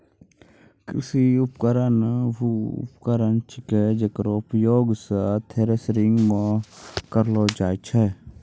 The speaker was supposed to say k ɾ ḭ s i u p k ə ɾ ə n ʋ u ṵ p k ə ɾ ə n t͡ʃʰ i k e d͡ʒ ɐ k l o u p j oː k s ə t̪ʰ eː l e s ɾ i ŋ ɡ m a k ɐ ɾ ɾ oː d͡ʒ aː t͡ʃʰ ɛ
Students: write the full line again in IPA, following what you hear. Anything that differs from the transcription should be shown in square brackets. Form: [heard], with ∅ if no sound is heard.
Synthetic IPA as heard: k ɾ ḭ s i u p k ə ɾ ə n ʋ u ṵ p k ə ɾ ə n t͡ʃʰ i k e d͡ʒ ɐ k [ɾ] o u p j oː [ɡ] s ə t̪ʰ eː [ɾ] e s ɾ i ŋ ɡ m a k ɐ ɾ [l] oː d͡ʒ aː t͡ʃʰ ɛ